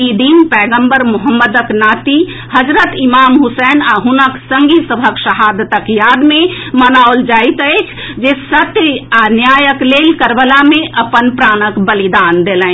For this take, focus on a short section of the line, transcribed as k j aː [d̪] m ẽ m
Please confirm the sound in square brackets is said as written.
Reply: yes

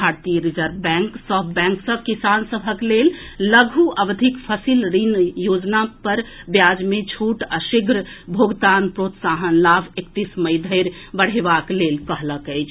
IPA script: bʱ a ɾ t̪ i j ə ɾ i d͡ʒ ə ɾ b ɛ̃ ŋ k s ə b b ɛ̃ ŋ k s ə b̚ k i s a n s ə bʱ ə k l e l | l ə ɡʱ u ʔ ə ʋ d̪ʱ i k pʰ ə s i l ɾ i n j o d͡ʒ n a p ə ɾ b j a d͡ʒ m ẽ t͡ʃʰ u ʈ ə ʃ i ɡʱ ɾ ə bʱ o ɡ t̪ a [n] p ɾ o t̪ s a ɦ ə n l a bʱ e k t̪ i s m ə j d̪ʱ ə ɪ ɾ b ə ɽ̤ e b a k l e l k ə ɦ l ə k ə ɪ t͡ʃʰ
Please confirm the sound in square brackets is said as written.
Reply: yes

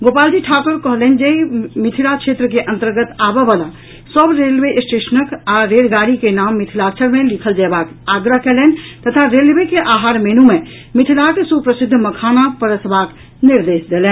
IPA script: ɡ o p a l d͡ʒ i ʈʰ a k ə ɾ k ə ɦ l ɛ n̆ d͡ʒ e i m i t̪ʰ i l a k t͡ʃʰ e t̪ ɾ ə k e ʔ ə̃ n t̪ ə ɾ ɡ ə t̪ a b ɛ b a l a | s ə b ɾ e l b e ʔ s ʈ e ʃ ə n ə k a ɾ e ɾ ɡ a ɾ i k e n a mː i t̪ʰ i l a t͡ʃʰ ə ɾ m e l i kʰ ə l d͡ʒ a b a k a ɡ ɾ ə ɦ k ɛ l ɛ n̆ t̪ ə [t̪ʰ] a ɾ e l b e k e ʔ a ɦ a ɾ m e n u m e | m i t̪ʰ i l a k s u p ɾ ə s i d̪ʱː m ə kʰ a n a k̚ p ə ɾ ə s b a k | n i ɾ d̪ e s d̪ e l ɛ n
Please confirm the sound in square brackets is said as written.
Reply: yes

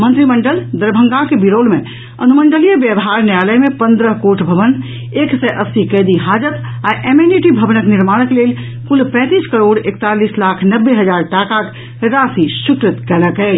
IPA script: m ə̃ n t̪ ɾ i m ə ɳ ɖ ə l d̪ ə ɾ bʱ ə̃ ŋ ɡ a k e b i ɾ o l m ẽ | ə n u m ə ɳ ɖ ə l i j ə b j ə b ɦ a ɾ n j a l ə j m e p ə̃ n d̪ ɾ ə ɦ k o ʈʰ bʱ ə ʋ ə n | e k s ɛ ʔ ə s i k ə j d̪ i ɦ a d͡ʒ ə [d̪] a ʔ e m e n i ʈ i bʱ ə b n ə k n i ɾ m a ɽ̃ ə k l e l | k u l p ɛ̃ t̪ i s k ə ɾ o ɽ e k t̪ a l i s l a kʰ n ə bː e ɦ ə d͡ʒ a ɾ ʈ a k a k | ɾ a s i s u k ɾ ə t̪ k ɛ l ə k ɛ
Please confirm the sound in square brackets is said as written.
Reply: no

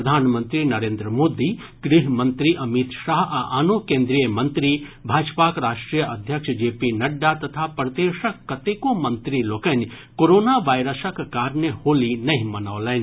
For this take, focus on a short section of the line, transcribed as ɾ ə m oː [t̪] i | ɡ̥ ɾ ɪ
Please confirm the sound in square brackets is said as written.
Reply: no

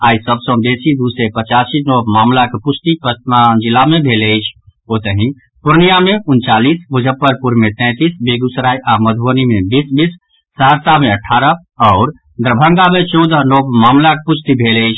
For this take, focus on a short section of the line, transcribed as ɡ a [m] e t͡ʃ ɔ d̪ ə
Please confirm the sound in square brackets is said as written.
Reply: yes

